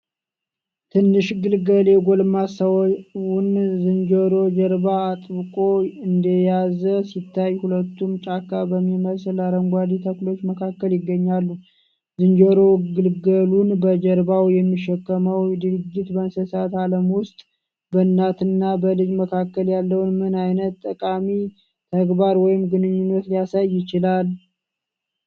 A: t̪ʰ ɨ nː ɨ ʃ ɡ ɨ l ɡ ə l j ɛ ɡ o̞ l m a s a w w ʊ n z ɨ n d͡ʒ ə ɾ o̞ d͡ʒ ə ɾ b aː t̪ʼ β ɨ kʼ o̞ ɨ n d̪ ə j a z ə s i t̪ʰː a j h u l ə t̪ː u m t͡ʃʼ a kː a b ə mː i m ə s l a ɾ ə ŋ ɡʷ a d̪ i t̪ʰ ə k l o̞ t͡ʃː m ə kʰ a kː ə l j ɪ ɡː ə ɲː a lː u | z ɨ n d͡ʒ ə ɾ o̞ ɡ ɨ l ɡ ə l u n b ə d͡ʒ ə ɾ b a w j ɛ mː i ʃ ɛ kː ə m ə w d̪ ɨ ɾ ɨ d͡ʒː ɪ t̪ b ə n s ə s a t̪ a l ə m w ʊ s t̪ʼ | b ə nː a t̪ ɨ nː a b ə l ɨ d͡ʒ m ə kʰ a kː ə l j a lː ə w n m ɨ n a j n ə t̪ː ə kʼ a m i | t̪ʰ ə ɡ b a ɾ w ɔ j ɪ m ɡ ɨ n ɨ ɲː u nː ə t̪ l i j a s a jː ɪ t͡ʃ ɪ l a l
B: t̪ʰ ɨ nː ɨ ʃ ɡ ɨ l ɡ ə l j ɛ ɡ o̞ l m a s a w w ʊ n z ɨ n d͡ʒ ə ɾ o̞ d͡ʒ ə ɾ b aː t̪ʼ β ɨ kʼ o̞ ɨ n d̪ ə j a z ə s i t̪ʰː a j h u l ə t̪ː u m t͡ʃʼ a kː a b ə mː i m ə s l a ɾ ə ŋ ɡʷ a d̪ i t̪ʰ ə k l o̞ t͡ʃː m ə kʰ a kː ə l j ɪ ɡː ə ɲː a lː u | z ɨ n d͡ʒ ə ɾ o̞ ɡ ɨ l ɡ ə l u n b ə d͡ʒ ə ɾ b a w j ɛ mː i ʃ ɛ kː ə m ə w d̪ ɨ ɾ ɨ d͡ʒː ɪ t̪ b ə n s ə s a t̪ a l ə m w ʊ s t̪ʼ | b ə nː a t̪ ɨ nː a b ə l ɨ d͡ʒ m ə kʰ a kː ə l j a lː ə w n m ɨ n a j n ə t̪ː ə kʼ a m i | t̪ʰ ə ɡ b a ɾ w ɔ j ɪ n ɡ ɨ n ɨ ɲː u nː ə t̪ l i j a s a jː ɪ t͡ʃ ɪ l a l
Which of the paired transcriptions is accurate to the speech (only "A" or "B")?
A